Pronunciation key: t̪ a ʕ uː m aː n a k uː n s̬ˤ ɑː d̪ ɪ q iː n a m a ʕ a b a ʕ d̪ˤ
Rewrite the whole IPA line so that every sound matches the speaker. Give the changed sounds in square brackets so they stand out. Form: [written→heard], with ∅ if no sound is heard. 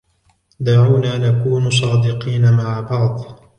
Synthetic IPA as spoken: [t̪→d̪] a ʕ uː [m→n] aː n a k uː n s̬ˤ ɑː d̪ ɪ q iː n a m a ʕ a b [a→ɑ] ʕ d̪ˤ